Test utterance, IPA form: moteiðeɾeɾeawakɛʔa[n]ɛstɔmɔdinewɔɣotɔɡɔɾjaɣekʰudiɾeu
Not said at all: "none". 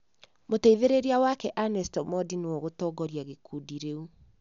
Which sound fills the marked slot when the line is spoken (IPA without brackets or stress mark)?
n